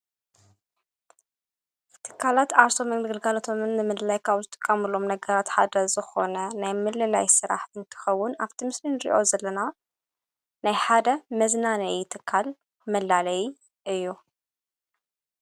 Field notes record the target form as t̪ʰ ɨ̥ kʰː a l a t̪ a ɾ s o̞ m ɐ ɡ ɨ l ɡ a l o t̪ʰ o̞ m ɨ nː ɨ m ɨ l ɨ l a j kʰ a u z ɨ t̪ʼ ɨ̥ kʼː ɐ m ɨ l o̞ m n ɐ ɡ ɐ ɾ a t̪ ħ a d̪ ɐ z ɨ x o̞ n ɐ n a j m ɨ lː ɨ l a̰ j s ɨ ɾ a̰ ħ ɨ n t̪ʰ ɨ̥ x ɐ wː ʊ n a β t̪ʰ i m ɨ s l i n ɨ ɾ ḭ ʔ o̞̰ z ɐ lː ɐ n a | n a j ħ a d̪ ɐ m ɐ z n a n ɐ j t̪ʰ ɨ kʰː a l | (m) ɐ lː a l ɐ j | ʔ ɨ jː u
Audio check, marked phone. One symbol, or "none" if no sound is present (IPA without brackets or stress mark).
m